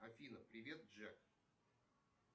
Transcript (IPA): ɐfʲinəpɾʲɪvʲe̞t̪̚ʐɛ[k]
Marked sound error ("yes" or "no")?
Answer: no